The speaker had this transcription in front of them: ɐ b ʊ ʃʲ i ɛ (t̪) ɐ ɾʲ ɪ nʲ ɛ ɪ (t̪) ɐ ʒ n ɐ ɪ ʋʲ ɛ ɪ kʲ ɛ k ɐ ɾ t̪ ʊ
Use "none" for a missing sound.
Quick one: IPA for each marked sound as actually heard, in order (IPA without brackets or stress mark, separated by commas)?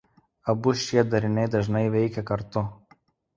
d̪, d̪